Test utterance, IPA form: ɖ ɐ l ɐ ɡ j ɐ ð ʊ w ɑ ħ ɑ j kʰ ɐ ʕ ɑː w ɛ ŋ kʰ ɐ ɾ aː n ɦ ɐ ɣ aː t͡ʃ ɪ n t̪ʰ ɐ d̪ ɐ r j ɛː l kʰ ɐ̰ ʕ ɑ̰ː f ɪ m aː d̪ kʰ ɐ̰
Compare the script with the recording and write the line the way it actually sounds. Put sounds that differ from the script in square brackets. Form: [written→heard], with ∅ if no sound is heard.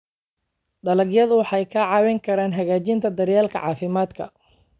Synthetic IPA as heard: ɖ ɐ l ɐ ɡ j ɐ ð ʊ w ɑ ħ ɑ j kʰ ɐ ʕ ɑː w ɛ ŋ kʰ ɐ ɾ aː n ɦ ɐ ɣ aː t͡ʃ ɪ n t̪ʰ ɐ d̪ ɐ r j [ɛː→aː] l kʰ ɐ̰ ʕ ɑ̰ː f ɪ m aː d̪ kʰ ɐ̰